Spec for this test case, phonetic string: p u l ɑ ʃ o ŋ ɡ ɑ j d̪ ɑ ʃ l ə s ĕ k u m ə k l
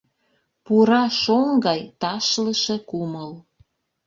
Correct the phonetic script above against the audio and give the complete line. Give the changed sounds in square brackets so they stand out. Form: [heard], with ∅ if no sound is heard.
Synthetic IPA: p u [ɾ] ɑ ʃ o ŋ ɡ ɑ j [t̪] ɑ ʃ l ə [ʃ] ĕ k u m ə [∅] l